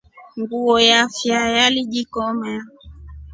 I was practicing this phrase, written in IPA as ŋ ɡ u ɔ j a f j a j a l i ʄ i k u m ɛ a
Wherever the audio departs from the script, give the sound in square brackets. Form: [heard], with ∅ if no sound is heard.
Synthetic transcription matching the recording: ŋ ɡ u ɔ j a f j a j a l i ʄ i k [ɔ] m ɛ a